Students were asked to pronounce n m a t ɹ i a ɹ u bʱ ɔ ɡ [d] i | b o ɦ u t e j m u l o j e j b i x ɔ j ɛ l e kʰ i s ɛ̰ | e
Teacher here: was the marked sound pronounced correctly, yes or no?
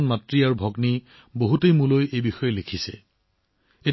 no